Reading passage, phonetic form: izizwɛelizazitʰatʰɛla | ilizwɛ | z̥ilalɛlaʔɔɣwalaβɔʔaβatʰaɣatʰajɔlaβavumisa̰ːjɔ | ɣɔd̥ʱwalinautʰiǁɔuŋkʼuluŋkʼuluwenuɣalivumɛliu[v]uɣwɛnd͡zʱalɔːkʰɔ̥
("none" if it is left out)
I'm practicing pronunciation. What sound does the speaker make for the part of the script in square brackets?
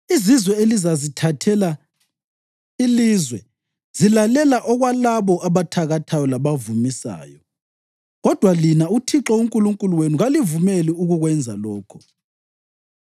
ɣ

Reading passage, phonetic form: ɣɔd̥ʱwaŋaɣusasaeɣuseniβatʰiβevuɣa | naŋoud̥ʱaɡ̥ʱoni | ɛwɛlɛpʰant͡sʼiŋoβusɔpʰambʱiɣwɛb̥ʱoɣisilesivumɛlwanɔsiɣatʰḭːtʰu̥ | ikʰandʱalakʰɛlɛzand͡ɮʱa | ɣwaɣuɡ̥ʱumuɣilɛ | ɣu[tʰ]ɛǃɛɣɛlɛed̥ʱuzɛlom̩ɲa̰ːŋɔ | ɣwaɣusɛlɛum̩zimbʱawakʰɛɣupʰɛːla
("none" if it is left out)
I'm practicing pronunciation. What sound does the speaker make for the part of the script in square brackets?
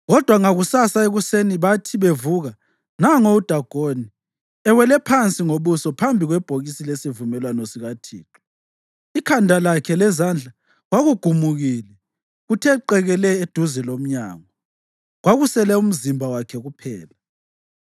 tʰ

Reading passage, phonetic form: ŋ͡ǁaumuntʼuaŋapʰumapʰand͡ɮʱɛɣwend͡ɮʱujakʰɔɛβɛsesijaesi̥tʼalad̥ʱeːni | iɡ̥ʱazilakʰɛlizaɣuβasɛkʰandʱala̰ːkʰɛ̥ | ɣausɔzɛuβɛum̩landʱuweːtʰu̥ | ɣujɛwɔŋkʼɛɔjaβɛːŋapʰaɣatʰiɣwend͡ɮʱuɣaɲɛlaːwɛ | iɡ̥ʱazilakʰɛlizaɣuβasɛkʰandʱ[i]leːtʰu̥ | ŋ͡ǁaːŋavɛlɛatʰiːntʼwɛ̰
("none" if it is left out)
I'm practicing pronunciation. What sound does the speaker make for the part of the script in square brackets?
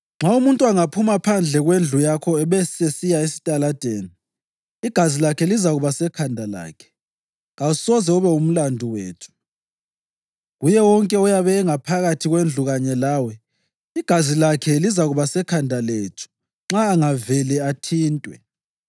a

